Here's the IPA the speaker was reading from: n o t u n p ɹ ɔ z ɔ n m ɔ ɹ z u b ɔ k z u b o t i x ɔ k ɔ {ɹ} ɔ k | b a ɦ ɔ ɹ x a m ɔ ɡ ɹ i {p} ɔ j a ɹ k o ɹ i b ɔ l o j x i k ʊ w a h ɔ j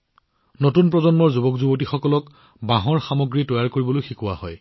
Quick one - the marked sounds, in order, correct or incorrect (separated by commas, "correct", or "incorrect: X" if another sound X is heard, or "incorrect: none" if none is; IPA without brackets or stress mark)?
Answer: incorrect: l, incorrect: t